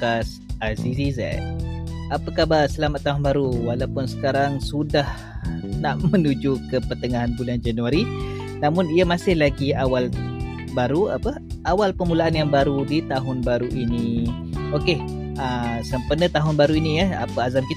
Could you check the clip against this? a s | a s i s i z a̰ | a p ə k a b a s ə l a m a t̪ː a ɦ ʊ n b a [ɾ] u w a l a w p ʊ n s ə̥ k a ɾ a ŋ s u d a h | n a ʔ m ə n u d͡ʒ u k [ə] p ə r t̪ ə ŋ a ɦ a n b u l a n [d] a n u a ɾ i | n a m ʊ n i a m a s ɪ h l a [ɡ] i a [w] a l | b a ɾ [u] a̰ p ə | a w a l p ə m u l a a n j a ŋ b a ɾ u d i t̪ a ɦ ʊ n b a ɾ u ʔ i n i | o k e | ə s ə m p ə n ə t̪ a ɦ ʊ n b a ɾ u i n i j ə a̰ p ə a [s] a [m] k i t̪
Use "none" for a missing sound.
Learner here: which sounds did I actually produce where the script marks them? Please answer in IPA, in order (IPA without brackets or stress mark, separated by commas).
ɾ, ə, d͡ʒ, ɡ, w, u, z, m